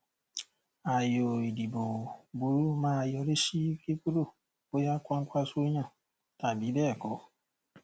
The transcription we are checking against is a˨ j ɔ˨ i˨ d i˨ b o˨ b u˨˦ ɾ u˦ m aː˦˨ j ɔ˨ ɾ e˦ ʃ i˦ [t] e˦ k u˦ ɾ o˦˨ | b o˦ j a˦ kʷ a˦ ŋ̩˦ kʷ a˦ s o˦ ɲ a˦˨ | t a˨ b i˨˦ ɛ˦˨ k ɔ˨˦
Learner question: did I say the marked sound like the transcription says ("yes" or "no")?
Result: no